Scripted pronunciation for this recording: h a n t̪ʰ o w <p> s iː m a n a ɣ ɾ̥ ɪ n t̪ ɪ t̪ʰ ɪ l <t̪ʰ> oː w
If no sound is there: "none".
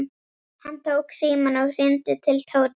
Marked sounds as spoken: k, t̪ʰ

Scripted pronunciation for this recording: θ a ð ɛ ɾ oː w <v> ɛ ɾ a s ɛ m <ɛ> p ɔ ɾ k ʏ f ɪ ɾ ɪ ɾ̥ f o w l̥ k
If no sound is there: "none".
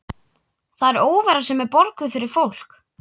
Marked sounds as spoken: v, ɛ

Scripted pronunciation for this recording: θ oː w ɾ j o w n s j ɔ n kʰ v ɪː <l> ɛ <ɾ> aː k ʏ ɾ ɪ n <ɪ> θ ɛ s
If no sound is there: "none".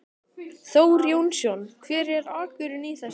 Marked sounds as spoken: ɾ, ɾ, i

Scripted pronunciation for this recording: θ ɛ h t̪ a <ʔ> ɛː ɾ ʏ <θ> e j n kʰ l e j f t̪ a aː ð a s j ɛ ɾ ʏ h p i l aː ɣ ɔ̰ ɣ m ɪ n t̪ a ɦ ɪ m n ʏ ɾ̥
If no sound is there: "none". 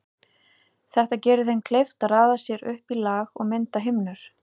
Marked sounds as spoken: c, θ

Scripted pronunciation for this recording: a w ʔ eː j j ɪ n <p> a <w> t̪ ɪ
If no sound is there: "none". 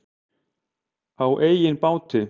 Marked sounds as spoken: p, w

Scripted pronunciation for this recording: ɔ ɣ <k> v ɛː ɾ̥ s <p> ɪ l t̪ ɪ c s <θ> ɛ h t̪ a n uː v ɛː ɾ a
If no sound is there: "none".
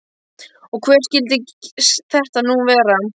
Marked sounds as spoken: kʰ, c, θ

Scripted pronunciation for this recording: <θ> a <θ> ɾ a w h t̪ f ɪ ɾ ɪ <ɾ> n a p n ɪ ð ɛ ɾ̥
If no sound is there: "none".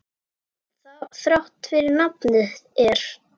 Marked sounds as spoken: θ, θ, ɾ

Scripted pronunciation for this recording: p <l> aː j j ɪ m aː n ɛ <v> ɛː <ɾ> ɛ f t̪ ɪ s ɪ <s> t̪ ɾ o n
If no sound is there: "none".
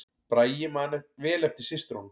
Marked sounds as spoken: ɾ, v, l, s

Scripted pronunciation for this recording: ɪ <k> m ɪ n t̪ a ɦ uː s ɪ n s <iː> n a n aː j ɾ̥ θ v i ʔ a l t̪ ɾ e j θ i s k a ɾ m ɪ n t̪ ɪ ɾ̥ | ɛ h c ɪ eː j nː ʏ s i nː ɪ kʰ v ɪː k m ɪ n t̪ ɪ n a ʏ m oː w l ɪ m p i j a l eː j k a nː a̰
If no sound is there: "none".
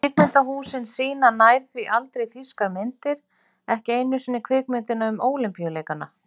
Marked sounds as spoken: k, iː

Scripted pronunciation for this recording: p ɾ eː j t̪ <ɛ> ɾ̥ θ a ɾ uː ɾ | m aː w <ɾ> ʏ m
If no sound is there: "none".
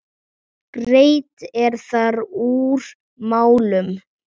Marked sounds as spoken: ɛ, l

